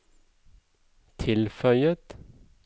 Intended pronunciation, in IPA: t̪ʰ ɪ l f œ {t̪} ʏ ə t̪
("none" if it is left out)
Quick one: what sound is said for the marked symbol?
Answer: none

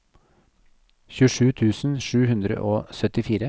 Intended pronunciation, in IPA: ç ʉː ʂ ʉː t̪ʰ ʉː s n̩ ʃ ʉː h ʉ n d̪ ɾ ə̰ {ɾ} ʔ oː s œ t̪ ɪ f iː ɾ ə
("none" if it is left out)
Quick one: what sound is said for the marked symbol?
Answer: none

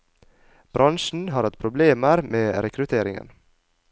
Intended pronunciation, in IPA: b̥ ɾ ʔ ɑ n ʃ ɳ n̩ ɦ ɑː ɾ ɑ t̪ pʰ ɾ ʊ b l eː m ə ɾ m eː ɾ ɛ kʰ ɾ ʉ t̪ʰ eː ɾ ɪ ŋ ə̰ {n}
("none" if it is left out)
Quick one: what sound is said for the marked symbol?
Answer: n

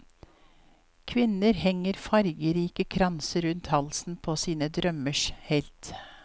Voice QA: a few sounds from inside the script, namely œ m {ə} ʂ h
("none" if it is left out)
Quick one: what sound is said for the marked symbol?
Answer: ə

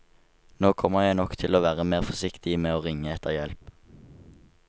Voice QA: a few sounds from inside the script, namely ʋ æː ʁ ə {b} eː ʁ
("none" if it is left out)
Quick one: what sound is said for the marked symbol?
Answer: m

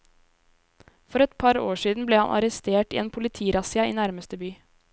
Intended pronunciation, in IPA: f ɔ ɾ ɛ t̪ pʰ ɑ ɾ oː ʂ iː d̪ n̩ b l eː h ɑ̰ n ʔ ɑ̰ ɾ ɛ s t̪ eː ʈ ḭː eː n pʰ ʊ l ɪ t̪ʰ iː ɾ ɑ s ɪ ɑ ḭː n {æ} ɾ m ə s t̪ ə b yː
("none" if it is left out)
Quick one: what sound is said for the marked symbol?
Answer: æ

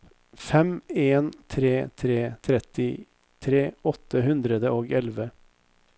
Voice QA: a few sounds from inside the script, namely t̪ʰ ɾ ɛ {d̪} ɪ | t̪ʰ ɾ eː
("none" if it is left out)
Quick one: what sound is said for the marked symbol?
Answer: t̪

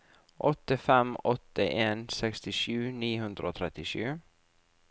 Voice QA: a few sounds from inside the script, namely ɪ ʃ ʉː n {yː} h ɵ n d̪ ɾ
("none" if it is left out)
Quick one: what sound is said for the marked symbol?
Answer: iː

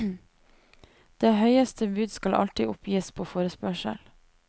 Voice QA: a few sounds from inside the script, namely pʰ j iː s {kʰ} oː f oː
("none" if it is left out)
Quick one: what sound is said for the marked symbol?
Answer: pʰ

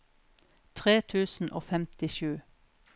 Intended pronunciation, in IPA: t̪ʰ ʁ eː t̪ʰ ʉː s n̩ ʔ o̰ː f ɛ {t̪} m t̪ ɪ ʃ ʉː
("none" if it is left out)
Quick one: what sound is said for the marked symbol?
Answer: none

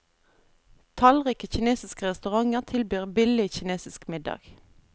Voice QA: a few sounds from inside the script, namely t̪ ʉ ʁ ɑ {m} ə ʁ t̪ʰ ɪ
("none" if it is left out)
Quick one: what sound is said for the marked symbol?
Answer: ŋ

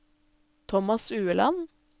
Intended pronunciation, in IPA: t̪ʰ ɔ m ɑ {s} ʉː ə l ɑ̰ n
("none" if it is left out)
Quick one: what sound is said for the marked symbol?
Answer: s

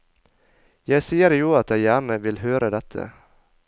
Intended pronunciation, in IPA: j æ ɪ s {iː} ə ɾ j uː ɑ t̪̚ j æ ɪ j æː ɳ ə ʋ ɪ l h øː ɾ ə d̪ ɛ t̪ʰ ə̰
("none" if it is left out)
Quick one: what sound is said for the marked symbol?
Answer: iː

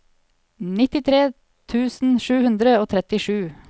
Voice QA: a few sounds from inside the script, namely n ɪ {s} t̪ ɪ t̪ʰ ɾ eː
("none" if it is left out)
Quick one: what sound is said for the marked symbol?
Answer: none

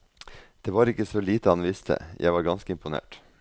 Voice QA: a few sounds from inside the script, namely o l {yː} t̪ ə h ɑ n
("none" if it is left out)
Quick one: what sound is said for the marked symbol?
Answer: iː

